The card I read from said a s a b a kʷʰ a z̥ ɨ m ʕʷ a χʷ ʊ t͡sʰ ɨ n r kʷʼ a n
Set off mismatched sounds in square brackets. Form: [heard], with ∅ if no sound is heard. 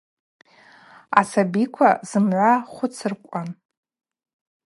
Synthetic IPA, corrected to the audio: a s a b [i] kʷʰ a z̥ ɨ m ʕʷ a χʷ ʊ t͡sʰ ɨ [∅] r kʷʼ a n